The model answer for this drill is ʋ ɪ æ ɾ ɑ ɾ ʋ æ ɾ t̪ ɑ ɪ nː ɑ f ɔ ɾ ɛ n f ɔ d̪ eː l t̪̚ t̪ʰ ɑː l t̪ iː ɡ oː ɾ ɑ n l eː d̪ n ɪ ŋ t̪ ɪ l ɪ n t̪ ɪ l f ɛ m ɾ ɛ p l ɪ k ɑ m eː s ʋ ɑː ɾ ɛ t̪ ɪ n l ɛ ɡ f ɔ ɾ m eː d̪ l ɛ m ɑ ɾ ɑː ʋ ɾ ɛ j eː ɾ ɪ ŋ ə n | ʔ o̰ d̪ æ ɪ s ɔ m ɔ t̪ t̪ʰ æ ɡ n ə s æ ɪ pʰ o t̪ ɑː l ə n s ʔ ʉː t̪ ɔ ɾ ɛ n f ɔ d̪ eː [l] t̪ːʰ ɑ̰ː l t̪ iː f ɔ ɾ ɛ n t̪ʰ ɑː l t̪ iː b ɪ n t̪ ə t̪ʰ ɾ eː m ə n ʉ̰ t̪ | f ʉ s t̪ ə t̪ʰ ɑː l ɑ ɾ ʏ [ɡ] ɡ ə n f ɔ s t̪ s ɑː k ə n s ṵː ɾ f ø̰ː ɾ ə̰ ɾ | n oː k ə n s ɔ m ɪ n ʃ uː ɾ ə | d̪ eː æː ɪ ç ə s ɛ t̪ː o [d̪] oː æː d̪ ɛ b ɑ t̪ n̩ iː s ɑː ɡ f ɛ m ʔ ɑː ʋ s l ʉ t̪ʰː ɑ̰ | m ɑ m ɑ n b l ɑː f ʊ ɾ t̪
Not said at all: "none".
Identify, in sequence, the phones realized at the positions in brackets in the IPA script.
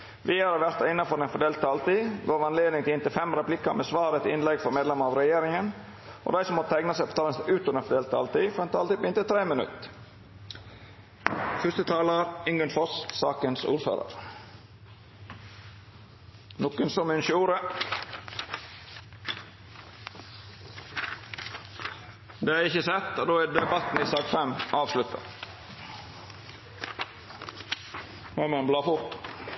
l, ŋ, d̪

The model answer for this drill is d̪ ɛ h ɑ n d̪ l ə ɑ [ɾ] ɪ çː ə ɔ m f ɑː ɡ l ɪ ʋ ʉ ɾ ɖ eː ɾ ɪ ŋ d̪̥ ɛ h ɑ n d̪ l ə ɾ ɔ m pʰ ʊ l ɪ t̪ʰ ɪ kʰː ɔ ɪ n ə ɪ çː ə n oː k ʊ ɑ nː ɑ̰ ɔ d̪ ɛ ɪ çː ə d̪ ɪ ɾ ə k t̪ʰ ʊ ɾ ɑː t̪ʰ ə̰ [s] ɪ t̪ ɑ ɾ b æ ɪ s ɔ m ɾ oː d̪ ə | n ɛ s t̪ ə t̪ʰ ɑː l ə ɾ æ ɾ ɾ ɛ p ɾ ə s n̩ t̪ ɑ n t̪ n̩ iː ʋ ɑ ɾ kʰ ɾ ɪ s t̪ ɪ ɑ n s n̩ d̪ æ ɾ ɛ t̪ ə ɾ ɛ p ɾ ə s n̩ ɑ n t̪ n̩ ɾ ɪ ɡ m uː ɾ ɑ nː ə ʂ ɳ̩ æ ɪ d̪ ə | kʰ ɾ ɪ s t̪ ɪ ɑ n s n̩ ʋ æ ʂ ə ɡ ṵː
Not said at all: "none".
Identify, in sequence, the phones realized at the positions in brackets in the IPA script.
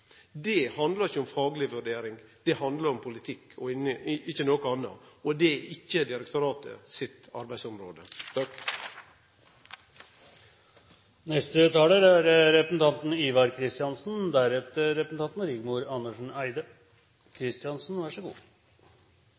ɾ, s

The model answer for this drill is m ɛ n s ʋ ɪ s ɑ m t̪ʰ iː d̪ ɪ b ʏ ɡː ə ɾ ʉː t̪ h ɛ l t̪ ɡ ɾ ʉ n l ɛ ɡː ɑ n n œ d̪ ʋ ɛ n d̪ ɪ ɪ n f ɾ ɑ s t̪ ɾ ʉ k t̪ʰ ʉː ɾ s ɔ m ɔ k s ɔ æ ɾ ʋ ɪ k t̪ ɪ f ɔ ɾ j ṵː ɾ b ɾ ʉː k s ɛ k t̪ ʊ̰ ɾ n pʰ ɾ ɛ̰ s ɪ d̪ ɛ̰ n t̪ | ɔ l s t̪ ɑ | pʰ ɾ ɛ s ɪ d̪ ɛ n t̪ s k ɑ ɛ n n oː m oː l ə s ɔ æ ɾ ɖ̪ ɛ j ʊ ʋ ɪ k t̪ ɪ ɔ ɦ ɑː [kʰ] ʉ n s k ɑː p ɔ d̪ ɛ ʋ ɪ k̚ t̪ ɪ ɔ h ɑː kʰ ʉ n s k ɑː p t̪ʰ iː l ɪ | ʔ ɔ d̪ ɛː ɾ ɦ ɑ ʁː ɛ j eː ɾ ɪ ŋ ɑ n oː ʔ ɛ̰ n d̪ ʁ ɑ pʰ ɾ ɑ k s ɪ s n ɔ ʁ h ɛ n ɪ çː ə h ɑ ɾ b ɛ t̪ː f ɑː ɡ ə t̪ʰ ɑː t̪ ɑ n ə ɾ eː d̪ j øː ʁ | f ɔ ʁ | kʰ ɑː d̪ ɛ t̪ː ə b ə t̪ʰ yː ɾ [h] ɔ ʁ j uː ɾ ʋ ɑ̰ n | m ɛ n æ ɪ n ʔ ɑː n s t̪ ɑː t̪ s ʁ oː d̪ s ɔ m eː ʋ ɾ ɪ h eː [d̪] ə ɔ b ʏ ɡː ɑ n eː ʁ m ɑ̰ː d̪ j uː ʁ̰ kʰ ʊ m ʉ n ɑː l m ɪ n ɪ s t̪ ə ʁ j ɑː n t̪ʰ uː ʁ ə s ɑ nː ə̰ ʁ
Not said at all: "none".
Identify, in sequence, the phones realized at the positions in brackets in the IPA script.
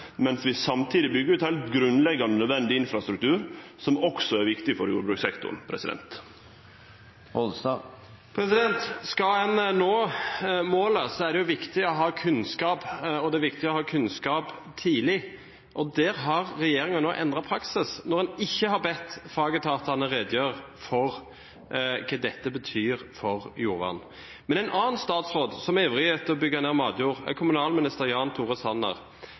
kʰ, f, t̪

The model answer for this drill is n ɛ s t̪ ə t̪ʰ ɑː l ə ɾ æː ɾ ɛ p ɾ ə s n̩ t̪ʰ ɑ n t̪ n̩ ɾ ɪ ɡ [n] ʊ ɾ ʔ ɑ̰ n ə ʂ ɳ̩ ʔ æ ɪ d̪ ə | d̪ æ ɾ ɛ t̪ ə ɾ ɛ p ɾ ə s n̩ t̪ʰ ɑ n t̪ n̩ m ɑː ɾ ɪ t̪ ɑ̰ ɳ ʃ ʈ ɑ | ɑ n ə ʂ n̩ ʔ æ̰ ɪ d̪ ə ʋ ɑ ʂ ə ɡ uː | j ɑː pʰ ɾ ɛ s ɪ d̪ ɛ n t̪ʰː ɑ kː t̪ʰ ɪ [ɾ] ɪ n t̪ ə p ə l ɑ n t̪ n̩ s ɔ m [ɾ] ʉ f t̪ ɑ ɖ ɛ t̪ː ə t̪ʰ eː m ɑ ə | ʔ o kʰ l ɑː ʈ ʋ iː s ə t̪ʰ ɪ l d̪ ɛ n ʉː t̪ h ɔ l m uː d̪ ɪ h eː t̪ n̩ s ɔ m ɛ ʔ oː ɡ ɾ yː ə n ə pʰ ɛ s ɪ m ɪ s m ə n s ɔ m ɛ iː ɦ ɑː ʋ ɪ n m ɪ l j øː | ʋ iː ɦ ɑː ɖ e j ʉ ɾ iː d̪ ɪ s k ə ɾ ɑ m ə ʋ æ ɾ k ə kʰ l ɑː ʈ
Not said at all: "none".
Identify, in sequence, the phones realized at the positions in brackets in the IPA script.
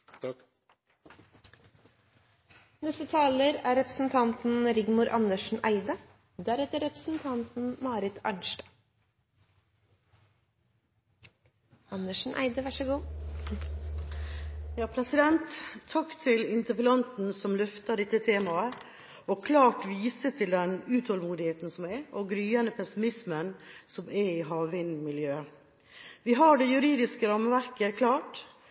m, l, l

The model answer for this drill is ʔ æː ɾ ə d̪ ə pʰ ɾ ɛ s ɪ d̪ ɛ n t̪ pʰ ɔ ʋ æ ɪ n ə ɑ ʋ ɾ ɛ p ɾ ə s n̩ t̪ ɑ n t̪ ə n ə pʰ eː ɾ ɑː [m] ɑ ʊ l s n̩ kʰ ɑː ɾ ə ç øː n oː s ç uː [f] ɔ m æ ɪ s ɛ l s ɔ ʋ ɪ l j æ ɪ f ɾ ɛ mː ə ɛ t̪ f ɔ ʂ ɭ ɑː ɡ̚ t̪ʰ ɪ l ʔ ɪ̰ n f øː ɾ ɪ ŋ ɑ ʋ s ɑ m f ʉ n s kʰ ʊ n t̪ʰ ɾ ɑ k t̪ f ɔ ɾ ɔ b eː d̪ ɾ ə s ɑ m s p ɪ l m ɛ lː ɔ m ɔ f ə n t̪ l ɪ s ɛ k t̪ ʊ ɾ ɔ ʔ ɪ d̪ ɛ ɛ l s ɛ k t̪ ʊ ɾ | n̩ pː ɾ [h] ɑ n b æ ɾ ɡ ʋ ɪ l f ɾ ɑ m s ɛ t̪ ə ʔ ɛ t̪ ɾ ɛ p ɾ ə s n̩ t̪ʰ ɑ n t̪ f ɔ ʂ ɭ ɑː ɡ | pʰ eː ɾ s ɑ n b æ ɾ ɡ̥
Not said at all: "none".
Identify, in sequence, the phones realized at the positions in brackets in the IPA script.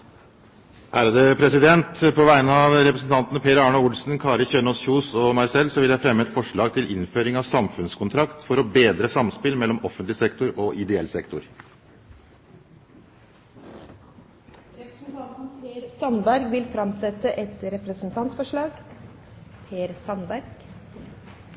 ɳ, s, s

